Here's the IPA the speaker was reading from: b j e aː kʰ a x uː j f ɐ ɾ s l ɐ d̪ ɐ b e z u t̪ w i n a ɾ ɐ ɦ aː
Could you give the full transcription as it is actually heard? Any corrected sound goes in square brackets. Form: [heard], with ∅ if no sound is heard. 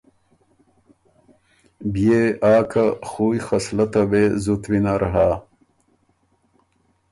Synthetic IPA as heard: b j e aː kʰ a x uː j [x] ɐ [∅] s l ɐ [t̪] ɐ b e z u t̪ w i n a ɾ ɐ ɦ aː

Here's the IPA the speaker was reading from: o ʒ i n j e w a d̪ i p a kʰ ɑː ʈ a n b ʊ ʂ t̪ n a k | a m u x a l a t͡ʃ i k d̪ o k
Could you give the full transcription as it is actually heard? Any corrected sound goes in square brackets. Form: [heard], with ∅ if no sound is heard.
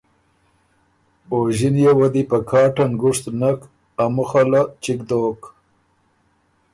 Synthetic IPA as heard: o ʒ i n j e w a d̪ i p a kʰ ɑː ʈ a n [ɡ] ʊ ʂ t̪ n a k | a m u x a l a t͡ʃ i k d̪ o k

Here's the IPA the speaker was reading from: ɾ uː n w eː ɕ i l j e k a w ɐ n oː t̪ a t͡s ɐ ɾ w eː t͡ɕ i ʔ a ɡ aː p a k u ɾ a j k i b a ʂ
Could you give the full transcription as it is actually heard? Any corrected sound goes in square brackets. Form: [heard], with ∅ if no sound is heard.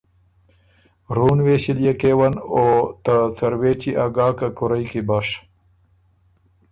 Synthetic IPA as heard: ɾ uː n w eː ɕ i l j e k [e] w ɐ n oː t̪ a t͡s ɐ ɾ w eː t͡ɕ i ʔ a ɡ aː [k] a k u ɾ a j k i b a ʂ

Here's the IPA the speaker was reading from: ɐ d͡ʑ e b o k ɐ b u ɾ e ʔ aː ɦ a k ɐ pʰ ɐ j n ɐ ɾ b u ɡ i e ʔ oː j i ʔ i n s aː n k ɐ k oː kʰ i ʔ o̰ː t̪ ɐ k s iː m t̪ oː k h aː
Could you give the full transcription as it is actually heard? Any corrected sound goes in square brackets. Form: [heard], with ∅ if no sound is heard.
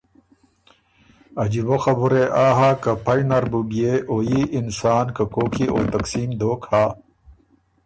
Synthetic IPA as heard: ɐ d͡ʑ [i] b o [x] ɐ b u ɾ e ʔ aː ɦ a k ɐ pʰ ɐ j n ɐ ɾ b u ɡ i e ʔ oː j i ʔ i n s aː n k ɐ k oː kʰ i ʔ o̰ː t̪ ɐ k s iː m [d̪] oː k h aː

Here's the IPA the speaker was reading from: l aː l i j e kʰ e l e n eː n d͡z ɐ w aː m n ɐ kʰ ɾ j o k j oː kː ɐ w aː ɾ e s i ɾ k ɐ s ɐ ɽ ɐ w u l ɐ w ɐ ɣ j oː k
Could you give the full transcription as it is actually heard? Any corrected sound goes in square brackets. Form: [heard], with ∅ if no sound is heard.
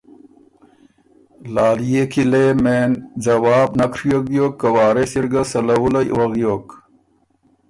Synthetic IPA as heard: l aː l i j e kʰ [i] l e [m] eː n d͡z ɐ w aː [b] n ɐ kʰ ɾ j o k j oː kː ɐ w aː ɾ e s i ɾ [ɡ] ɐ s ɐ [l] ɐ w u l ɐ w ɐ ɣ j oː k

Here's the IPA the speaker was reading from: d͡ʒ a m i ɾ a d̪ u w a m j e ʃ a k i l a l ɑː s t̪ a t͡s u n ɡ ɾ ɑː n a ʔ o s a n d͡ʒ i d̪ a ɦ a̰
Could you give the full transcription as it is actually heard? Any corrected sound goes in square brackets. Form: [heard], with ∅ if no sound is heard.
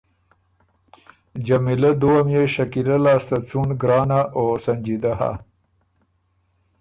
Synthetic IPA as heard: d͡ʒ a m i [l] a d̪ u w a m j e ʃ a k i l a l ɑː s t̪ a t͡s u n ɡ ɾ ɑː n a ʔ o s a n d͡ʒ i d̪ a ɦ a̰

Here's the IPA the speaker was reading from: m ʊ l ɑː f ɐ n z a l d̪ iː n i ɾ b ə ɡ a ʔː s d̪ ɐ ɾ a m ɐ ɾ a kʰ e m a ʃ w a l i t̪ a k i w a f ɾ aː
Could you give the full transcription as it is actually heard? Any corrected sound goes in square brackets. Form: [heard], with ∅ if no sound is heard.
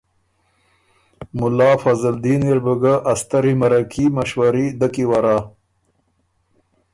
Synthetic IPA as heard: m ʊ l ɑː f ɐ [∅] z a l d̪ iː n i ɾ b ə ɡ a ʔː s [t̪] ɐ ɾ [i] m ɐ ɾ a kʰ [i] m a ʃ w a [ɾ] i [d̪] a k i w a [∅] ɾ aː

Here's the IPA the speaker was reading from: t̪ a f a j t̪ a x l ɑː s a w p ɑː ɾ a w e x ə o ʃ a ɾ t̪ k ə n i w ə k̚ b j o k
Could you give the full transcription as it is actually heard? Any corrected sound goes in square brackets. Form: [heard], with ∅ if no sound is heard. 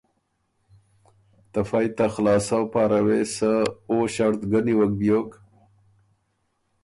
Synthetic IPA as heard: t̪ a f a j t̪ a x l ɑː s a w p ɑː ɾ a w e [s] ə o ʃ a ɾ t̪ [ɡ] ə n i w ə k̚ b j o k

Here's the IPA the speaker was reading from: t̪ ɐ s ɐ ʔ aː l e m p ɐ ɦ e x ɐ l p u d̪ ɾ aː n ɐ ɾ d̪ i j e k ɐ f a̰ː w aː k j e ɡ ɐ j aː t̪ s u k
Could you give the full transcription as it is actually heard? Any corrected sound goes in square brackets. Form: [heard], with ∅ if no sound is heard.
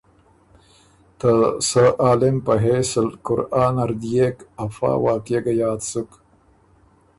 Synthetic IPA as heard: t̪ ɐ s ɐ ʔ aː l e m p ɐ ɦ e [s] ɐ l [k] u [∅] ɾ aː n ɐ ɾ d̪ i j e k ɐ f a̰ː w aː k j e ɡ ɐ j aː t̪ s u k

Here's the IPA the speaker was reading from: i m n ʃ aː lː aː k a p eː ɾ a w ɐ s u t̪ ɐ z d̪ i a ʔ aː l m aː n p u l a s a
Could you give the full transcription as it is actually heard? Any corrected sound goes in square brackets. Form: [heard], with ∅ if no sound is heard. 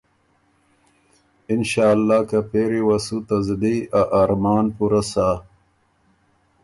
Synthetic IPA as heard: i [∅] n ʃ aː lː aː k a p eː ɾ [i] w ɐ s u t̪ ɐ z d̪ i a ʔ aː [ɾ] m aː n p u [ɾ] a s a

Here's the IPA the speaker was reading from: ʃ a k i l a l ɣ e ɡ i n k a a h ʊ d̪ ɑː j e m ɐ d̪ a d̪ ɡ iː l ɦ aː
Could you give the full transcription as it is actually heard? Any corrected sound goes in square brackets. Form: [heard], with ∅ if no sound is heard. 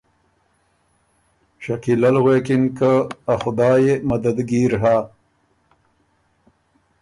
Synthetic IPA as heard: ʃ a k i l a l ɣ e [k] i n k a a [x] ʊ d̪ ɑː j e m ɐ d̪ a d̪ ɡ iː [ɾ] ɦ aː

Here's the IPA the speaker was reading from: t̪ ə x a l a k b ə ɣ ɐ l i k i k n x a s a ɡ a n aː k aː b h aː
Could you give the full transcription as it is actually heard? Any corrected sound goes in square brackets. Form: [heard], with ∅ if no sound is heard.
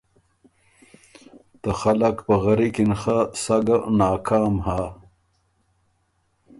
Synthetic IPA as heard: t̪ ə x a l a k [p] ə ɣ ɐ [ɾ] i k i [∅] n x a s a ɡ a n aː k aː [m] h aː

